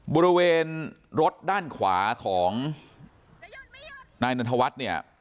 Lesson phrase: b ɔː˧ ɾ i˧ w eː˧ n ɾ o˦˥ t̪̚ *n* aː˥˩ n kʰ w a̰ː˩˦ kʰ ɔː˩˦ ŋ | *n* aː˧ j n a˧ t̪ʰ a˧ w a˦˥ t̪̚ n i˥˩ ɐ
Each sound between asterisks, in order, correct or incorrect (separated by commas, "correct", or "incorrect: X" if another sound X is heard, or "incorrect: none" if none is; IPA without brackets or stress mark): incorrect: d, correct